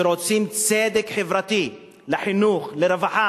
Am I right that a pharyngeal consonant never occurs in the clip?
no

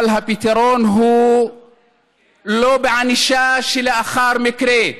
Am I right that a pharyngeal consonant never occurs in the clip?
no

